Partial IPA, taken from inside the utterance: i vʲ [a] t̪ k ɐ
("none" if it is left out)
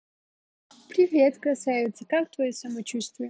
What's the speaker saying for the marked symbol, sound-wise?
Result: e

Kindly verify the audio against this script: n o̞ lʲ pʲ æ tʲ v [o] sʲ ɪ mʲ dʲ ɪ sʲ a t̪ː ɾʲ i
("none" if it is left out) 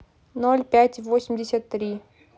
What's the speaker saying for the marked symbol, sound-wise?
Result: o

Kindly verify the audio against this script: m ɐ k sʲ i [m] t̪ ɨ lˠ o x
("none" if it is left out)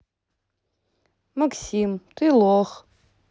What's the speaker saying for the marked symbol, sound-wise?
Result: m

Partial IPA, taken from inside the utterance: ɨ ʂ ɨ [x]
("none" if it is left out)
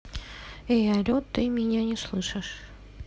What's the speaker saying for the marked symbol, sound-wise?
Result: ʂ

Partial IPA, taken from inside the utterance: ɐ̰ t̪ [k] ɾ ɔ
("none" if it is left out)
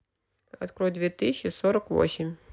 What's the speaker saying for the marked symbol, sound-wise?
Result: k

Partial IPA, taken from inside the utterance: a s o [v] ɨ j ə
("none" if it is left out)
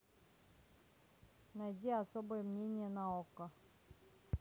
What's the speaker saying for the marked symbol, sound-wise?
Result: b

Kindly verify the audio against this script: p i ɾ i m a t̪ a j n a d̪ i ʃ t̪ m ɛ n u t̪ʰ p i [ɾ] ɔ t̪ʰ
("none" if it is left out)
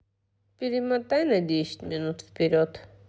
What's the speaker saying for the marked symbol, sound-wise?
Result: ɾ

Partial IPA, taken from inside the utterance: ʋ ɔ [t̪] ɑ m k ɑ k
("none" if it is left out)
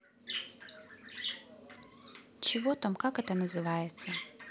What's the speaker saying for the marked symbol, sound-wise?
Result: t̪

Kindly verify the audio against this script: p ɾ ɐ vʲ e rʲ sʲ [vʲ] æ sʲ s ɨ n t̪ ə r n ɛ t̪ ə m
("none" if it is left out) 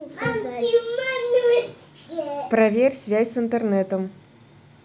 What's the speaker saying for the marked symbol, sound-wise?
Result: vʲ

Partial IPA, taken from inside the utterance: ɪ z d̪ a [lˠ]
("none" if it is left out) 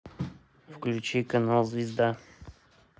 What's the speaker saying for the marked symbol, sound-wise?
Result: none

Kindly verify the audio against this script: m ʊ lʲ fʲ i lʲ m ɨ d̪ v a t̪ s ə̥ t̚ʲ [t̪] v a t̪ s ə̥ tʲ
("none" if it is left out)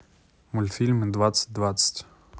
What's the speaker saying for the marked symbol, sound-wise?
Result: d̪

